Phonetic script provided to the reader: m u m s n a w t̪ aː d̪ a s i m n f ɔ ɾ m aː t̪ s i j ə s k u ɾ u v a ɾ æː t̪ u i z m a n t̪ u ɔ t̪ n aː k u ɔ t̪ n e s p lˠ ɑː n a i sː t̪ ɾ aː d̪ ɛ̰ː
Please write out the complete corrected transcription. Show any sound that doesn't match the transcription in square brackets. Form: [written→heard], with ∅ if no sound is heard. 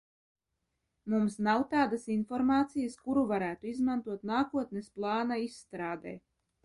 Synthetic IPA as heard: m u m s n a w t̪ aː d̪ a s i [m→∅] n f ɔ ɾ m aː t̪ s i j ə s k u ɾ u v a ɾ æː t̪ u i z m a n t̪ u ɔ t̪ n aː k u ɔ t̪ n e s p lˠ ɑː n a i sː t̪ ɾ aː d̪ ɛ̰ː

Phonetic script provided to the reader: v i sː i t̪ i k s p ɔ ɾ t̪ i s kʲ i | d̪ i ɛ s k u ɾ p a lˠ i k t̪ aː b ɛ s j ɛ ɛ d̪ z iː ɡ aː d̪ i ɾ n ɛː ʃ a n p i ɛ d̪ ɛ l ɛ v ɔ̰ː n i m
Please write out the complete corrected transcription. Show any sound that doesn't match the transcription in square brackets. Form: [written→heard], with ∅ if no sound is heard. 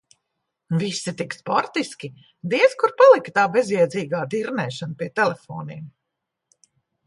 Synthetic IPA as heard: v i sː i t̪ i k s p ɔ ɾ t̪ i s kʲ i | d̪ i ɛ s k u ɾ p a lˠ i k t̪ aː b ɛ [s→z] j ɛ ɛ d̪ z iː ɡ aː d̪ i ɾ n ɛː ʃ a n p i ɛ [d̪→t̪] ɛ l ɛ [v→f] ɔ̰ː n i m

